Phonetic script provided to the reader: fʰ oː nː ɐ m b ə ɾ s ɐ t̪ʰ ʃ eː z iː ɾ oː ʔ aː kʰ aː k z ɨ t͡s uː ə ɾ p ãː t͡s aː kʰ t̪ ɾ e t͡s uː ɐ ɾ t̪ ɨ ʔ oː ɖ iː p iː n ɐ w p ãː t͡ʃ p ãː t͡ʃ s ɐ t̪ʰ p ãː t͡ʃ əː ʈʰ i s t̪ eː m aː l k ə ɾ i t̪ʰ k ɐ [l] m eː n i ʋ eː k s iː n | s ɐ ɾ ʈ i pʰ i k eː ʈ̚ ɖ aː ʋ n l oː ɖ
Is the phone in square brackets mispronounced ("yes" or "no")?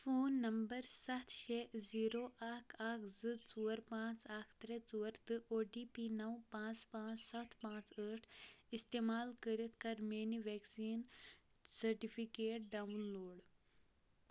yes